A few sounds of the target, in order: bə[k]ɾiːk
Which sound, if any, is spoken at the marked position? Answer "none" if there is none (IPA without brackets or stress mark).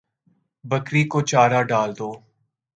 k